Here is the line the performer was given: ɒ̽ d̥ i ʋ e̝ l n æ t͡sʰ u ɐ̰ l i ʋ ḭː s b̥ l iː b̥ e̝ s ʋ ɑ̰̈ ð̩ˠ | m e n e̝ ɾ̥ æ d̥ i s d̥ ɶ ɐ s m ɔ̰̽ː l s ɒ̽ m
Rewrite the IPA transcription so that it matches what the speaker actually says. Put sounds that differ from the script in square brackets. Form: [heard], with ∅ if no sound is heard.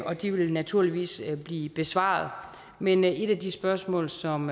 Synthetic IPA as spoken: ɒ̽ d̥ i ʋ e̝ l n æ t͡sʰ u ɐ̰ l i ʋ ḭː s b̥ l iː b̥ e̝ s ʋ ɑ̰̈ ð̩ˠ | m e n e̝ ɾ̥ æ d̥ i s [b̥] ɶ ɐ s m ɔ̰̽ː l s ɒ̽ m

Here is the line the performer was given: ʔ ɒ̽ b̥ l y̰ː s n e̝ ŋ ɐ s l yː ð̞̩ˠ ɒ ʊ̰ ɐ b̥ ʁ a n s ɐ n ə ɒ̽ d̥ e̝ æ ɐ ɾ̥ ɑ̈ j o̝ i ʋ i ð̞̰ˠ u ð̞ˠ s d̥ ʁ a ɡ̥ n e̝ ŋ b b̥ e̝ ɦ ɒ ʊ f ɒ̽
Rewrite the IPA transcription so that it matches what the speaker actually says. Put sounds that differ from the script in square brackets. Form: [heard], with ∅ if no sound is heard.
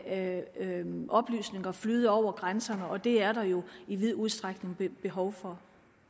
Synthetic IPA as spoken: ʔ ɒ̽ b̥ l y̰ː s n e̝ ŋ ɐ [f] l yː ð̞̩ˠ ɒ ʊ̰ ɐ [ɡ̥] ʁ a n s ɐ n ə ɒ̽ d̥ e̝ æ ɐ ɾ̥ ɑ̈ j o̝ i ʋ i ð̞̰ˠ u ð̞ˠ s d̥ ʁ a ɡ̥ n e̝ ŋ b b̥ e̝ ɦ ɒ ʊ f ɒ̽

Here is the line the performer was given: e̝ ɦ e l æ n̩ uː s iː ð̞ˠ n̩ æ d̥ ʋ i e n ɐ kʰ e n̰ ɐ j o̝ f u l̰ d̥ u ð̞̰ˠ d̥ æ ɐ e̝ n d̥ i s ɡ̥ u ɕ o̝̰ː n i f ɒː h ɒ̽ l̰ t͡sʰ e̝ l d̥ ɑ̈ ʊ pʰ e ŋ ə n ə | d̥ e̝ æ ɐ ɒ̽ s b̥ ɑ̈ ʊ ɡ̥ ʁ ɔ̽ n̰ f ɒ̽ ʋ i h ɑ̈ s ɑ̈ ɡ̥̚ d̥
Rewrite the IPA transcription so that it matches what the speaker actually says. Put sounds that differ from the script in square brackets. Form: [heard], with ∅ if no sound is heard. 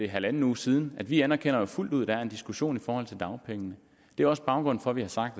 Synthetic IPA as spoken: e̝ ɦ [æ] l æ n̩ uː s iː ð̞ˠ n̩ æ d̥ ʋ i [æ] n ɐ kʰ e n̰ ɐ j o̝ f u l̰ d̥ u ð̞̰ˠ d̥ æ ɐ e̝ n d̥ i s ɡ̥ u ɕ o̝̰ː n i f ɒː h ɒ̽ l̰ t͡sʰ e̝ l d̥ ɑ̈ ʊ pʰ e ŋ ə n ə | d̥ e̝ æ ɐ ɒ̽ s b̥ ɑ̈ ʊ ɡ̥ ʁ ɔ̽ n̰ f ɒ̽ ʋ i h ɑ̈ s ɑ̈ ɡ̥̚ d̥

